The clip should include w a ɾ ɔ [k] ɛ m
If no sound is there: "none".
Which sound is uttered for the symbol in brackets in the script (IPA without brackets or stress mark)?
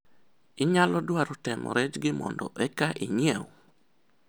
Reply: t